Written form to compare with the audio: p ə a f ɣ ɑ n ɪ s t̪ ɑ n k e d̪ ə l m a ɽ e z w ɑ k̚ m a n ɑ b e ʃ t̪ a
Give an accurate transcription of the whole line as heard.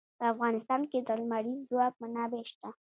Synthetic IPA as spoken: p ə a f ɣ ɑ n ɪ s t̪ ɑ n k e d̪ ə l m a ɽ i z w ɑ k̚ m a n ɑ b e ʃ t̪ a